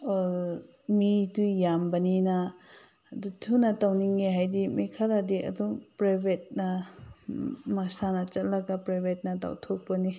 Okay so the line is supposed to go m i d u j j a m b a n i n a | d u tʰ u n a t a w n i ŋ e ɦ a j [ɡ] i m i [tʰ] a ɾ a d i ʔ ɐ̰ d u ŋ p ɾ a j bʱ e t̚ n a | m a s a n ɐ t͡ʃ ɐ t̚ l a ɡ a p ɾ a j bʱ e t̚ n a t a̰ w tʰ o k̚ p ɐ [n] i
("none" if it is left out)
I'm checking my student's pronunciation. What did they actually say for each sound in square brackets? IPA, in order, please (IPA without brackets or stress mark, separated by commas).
d, kʰ, n